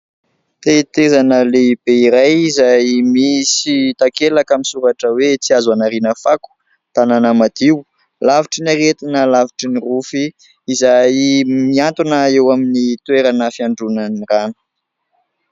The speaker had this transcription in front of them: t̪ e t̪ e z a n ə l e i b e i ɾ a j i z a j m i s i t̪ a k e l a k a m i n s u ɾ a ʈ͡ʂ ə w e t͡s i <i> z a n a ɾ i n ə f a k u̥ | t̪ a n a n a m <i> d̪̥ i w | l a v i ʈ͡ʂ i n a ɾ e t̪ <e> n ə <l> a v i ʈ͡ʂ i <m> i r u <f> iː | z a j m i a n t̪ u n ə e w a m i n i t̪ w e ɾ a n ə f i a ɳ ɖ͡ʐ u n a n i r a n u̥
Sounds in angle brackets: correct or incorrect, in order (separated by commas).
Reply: incorrect, incorrect, incorrect, correct, incorrect, correct